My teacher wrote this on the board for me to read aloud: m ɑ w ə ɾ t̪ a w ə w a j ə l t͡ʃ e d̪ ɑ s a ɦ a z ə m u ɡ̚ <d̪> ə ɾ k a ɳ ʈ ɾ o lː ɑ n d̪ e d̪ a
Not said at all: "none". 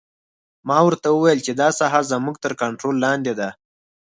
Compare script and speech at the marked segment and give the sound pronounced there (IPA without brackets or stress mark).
t̪